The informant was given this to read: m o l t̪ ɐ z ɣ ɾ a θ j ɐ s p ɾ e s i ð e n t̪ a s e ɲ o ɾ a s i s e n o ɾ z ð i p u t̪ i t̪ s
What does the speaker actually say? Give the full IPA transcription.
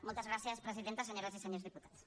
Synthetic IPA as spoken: m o l t̪ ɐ z ɣ ɾ a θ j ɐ s p ɾ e s i ð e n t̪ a s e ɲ o ɾ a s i s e ɲ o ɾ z ð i p u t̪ a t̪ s